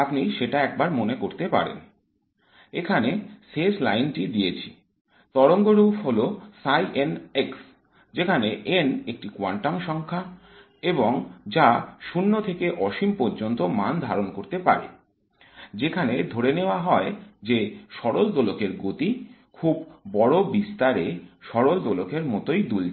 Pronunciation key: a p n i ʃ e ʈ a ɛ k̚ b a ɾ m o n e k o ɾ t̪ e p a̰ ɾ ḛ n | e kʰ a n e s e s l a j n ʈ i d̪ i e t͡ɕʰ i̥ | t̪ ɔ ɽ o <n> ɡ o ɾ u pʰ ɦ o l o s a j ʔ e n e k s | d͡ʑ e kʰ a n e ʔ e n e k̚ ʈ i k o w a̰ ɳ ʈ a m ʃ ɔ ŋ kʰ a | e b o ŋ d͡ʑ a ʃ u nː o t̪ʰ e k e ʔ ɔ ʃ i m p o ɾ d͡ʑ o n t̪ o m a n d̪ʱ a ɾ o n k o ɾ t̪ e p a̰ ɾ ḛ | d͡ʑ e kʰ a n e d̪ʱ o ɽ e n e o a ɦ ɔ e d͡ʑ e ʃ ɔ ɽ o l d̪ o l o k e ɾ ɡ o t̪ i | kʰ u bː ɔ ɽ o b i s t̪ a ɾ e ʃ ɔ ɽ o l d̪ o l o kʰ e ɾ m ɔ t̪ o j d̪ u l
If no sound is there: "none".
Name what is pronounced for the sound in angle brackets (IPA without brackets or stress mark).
ŋ